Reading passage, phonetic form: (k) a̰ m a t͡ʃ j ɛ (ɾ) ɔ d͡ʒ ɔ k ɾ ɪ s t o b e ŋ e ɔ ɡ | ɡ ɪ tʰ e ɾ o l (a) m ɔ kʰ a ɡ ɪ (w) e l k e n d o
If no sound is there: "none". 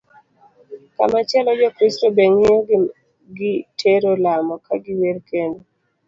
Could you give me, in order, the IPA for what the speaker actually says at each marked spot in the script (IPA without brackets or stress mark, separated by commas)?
k, l, a, w